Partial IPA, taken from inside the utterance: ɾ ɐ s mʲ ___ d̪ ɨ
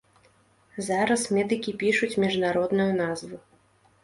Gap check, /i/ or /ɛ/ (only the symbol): ɛ